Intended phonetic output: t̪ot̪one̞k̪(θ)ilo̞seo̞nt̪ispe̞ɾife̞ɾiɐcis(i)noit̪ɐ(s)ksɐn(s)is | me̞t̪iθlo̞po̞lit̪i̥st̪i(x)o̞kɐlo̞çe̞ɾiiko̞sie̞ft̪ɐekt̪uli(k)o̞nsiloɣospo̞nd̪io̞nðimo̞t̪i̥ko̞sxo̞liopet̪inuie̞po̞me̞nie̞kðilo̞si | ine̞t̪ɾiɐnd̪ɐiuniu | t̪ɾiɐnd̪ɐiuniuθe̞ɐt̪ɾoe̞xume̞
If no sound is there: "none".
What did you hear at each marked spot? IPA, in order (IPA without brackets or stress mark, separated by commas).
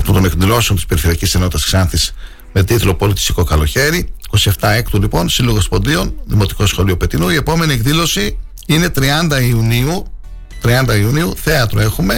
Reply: ð, e, s, θ, k, p